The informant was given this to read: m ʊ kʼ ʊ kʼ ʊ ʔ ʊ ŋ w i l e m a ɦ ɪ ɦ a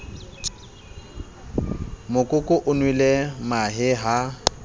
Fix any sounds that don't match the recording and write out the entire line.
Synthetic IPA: m ʊ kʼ ʊ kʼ ʊ ʔ ʊ n w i l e m a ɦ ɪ ɦ a